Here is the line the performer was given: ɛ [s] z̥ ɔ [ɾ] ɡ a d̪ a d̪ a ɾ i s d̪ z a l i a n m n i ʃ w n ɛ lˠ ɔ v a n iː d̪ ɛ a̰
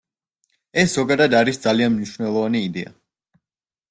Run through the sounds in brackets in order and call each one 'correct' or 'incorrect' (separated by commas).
correct, incorrect